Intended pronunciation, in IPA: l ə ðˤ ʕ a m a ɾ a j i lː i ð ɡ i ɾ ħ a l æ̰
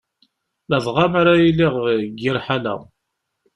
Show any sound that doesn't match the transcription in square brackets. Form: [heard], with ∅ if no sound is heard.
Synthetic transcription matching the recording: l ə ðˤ [ʁ] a m a ɾ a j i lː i [ʁ] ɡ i ɾ ħ a l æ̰